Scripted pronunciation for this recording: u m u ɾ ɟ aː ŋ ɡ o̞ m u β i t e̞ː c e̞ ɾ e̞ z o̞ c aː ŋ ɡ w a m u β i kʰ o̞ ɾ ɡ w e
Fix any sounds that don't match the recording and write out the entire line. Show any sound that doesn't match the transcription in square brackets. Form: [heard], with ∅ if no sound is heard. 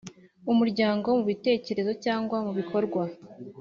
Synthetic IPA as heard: u m u ɾ ɟ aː ŋ ɡ o̞ m u β i t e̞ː c e̞ ɾ e̞ z o̞ c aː ŋ ɡ w a m u β i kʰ o̞ ɾ ɡ w [a]